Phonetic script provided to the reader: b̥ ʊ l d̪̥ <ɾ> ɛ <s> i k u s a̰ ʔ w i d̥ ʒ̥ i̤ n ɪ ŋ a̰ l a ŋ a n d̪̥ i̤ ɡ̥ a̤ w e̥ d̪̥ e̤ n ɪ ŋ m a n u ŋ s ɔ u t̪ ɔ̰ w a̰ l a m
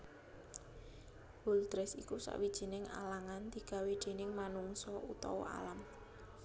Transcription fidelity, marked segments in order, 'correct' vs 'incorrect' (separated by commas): correct, correct